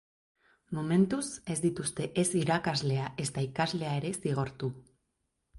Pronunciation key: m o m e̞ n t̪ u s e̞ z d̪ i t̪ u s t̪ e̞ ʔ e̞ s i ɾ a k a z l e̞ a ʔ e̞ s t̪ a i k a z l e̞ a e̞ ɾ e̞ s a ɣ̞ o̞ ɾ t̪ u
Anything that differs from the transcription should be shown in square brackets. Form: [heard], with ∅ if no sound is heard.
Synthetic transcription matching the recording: m o m e̞ n t̪ u s e̞ z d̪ i t̪ u s t̪ e̞ ʔ e̞ s i ɾ a k a z l e̞ a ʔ e̞ s t̪ a i k a z l e̞ a e̞ ɾ e̞ s [i] ɣ̞ o̞ ɾ t̪ u